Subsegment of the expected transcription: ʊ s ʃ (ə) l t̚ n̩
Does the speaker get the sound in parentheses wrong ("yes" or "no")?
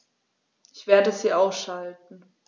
yes